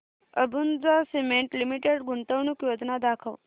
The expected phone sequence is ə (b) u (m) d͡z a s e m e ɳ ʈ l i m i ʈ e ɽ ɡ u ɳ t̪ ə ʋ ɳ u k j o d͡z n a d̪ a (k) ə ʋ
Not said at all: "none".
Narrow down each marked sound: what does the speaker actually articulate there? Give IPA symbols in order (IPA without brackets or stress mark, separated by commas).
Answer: b, n, kʰ